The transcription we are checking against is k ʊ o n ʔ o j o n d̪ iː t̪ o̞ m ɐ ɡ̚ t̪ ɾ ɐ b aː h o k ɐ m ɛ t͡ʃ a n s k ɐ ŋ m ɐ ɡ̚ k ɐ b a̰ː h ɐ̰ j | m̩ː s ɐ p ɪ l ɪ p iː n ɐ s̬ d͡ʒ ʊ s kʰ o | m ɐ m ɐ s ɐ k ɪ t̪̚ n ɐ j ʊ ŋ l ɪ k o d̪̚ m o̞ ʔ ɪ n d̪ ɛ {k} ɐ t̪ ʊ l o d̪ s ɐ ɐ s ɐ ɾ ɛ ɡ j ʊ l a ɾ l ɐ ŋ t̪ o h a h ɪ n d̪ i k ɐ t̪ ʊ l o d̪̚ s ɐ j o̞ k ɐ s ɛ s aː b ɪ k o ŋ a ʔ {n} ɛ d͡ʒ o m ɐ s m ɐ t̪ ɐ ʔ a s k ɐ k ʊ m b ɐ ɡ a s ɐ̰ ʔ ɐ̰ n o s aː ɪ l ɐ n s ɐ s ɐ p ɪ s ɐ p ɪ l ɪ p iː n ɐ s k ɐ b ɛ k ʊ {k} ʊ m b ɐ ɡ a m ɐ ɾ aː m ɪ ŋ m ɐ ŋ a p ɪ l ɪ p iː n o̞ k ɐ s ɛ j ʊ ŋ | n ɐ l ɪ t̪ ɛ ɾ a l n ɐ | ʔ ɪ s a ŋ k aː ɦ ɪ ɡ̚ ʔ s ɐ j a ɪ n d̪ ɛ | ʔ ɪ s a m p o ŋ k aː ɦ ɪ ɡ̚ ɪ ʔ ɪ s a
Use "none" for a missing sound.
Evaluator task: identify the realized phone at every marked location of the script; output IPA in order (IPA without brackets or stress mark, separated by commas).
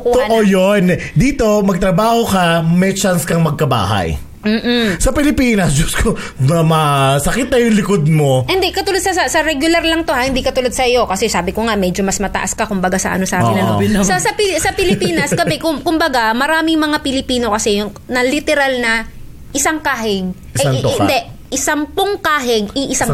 k, m, k